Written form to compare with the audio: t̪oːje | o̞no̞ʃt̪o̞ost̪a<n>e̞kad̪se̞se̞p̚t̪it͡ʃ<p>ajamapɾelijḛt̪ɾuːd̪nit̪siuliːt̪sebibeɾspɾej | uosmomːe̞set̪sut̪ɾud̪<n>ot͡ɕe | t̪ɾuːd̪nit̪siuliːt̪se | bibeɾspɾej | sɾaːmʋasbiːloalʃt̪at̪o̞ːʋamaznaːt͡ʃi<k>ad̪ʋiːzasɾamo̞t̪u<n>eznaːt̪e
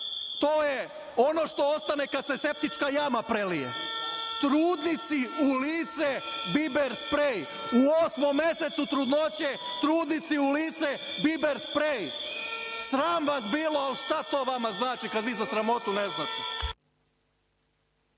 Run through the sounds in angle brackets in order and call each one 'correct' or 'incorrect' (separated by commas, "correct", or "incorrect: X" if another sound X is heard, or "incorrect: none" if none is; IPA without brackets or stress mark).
correct, incorrect: k, correct, correct, correct